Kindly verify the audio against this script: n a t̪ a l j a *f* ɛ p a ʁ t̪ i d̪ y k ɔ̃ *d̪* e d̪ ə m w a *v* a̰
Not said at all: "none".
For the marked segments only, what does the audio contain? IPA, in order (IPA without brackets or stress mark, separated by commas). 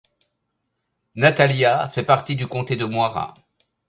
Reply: f, t̪, ʁ